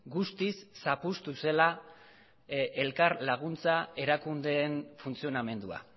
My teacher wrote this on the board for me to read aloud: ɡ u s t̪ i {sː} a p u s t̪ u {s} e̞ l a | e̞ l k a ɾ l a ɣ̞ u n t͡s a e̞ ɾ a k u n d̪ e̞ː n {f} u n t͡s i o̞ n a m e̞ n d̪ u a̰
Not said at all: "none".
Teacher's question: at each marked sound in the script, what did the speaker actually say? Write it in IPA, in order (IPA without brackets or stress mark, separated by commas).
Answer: sː, s, f